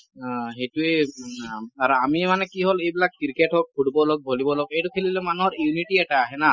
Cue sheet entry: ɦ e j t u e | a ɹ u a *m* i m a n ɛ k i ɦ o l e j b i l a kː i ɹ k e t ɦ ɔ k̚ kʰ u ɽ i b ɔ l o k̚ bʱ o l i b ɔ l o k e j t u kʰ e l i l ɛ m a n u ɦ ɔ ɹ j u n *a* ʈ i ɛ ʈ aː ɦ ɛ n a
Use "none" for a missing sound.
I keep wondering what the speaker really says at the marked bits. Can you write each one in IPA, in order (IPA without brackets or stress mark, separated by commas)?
m, i